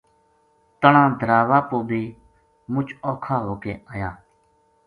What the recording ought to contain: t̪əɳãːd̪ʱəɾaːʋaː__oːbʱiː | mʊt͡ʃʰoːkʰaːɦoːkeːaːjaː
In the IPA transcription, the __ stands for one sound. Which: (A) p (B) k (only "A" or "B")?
A